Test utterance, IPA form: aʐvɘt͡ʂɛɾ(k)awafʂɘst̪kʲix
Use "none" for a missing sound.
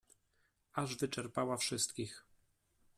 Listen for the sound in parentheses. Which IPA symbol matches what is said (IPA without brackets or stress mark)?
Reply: p